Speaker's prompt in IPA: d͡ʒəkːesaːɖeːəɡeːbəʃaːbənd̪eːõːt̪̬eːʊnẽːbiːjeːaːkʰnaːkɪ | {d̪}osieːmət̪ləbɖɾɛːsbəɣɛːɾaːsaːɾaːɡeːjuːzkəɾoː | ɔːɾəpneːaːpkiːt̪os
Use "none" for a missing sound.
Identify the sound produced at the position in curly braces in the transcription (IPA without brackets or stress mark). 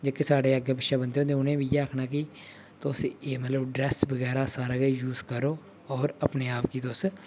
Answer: t̪